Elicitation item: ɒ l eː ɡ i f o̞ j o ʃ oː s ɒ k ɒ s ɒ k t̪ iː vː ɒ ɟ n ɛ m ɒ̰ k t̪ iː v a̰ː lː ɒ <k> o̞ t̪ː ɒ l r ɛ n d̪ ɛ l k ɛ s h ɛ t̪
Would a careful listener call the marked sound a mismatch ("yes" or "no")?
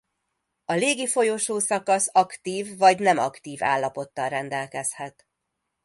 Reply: yes